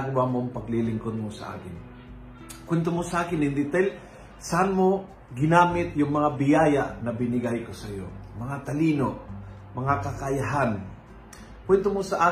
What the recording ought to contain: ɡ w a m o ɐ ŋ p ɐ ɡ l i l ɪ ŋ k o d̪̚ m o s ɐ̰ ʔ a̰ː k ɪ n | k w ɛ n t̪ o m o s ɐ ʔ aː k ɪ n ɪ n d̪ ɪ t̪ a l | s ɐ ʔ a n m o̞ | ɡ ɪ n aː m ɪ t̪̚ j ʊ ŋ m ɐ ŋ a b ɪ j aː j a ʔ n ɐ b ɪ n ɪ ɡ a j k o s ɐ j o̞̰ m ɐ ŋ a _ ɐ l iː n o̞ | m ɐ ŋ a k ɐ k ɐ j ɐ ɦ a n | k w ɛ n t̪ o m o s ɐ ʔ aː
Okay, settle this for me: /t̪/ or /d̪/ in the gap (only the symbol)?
t̪